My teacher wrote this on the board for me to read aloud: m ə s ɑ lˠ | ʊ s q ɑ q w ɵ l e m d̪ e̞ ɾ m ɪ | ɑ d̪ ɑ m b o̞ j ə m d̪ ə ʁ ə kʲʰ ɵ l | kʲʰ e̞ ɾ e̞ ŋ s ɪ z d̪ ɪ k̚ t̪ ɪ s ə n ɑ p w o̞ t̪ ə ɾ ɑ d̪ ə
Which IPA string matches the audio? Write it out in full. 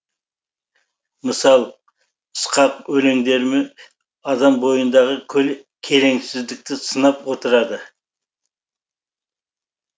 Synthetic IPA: m ə s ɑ lˠ | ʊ s q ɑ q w ɵ l e ŋ d̪ e̞ ɾ m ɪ | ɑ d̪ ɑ m b o̞ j ə n d̪ ɑ ʁ ə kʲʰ ɵ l | kʲʰ e̞ ɾ e̞ ŋ s ɪ z d̪ ɪ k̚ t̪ ɪ s ə n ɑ p w o̞ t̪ ə ɾ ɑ d̪ ə